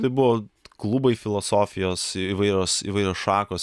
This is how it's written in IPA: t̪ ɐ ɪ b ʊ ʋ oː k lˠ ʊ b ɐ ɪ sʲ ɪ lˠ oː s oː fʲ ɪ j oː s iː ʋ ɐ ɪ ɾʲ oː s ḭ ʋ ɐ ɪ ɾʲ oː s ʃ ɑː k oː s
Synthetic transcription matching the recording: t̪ ɐ ɪ b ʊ ʋ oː k lˠ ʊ b ɐ ɪ fʲ ɪ lˠ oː s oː fʲ ɪ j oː s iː ʋ ɐ ɪ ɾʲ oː s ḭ ʋ ɐ ɪ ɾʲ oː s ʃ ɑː k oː s